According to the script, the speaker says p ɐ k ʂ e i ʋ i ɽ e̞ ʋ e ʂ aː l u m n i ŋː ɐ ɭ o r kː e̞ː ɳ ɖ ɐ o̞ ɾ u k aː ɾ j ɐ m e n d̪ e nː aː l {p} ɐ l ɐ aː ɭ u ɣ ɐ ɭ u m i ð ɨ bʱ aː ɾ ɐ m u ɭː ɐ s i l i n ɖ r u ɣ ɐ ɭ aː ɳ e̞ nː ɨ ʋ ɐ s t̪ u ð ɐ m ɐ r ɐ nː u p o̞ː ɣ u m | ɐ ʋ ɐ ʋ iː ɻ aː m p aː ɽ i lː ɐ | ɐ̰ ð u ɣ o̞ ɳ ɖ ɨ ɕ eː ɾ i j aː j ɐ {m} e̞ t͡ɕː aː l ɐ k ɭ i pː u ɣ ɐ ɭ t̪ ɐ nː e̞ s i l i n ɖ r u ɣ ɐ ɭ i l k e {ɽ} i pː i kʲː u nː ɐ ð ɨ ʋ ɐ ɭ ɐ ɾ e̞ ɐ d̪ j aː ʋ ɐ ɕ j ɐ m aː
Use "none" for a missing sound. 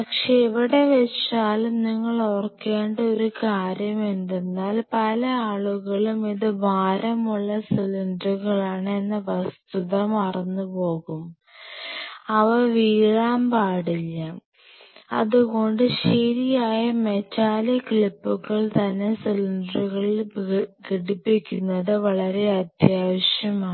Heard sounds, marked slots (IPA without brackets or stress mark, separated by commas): p, m, ɽ